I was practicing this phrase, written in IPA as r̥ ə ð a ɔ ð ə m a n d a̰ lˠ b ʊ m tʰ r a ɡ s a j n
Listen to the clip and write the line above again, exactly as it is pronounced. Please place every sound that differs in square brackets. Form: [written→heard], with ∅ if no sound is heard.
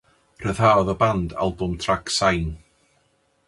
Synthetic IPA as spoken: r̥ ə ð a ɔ ð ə [m→b] a n d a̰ lˠ b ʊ m tʰ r a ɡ s a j n